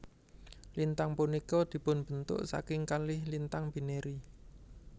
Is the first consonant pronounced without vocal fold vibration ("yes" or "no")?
no